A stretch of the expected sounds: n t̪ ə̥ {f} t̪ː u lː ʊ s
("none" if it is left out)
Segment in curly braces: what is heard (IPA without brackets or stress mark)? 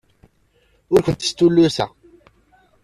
s